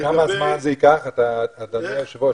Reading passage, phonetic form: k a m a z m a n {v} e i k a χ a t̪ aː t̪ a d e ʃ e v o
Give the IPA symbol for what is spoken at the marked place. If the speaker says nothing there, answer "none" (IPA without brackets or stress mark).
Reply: z